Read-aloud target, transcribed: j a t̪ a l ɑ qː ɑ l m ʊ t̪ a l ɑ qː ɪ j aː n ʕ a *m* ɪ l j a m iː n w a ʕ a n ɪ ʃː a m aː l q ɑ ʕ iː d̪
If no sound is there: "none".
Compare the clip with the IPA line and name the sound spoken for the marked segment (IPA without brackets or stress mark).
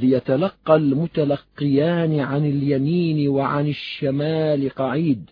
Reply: n